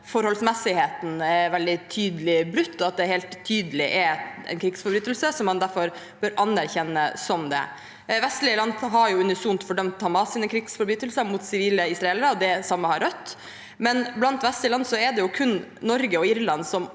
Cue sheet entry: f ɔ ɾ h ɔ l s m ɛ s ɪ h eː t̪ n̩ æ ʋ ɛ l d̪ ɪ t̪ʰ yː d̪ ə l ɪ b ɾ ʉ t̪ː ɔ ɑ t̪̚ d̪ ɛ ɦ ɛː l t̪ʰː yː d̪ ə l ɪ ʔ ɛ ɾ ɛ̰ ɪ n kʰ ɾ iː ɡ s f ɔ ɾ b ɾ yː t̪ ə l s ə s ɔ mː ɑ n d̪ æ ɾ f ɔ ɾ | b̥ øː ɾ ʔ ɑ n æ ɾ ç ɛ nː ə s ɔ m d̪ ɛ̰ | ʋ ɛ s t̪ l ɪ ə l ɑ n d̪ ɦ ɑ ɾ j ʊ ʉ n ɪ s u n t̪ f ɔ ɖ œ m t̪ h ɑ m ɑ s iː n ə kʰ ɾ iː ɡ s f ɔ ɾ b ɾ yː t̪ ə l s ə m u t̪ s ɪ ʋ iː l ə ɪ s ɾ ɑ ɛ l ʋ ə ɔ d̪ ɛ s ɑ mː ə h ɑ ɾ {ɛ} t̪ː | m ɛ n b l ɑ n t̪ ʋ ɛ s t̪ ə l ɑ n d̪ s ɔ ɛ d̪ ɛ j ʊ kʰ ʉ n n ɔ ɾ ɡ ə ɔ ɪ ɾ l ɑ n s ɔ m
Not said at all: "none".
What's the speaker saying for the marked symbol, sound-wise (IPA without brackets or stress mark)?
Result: œ